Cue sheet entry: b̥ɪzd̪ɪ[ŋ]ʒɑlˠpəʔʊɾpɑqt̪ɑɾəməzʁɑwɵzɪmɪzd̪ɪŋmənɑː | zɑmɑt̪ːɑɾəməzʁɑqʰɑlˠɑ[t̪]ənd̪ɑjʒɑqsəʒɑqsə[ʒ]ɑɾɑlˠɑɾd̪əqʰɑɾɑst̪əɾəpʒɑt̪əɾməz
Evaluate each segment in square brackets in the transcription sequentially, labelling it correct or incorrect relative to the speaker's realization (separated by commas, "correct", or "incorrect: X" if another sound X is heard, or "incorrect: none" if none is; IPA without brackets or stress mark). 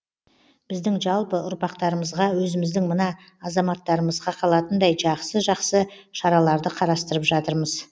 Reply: correct, correct, incorrect: ʃ